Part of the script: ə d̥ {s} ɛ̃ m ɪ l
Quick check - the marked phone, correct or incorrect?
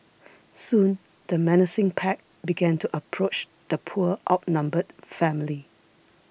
incorrect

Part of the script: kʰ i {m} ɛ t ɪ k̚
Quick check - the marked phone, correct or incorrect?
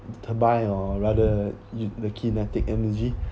incorrect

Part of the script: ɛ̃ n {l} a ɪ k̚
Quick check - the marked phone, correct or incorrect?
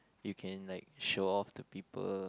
correct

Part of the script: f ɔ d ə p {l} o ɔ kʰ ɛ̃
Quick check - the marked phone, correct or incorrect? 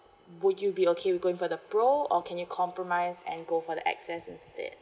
incorrect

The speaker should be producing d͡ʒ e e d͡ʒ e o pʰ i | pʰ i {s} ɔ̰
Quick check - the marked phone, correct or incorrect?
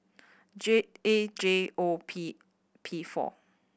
incorrect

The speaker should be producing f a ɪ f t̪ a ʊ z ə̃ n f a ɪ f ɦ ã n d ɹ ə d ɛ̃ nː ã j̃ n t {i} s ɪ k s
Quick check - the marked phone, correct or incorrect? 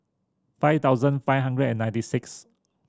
correct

